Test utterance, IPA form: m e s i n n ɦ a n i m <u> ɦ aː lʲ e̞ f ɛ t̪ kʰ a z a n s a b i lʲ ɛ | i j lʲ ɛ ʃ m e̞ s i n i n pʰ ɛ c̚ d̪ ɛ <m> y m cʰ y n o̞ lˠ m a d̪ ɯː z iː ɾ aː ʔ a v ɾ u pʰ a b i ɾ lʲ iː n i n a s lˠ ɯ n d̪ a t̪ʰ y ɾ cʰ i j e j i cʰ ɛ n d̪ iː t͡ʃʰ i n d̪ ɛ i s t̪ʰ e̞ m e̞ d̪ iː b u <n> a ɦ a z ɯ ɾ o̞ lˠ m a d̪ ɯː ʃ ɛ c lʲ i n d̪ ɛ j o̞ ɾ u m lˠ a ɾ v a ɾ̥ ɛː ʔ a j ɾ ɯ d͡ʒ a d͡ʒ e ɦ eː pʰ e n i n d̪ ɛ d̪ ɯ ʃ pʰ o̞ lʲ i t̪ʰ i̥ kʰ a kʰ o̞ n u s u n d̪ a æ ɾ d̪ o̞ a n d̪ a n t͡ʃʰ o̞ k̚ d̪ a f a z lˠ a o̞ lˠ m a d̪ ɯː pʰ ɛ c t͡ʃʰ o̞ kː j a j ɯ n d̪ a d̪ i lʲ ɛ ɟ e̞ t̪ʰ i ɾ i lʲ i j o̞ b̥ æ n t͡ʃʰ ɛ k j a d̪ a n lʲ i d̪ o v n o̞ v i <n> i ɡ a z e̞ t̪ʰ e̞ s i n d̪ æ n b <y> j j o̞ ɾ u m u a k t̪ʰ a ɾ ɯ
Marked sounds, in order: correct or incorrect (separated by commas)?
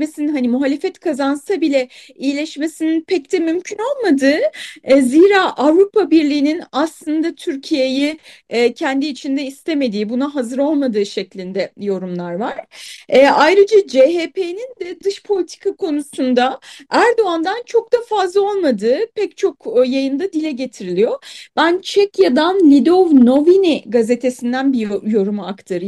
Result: correct, correct, correct, correct, incorrect